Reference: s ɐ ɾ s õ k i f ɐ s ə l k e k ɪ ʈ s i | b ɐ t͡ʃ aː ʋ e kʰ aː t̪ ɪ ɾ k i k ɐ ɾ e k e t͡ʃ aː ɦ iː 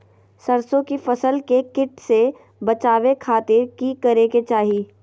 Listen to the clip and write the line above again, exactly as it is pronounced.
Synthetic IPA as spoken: s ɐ ɾ s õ k i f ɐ s ə l k e k ɪ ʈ s e | b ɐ t͡ʃ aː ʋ e kʰ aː t̪ ɪ ɾ k i k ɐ ɾ e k e t͡ʃ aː ɦ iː